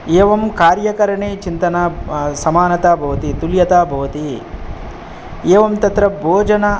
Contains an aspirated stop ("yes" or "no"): no